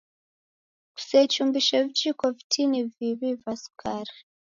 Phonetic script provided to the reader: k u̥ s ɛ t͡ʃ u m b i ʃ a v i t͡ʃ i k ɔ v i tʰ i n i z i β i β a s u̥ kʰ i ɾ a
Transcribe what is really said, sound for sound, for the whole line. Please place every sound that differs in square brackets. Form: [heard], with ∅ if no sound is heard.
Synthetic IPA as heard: k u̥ s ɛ t͡ʃ u m b i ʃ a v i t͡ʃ i k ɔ v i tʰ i n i [v] i β i [v] a s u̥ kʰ [a] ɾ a